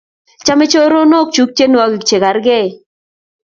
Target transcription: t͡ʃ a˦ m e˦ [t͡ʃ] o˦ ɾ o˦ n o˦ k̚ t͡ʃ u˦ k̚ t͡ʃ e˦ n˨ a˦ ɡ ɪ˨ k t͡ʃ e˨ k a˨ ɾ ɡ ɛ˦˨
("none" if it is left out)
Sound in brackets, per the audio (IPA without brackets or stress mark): t͡ʃ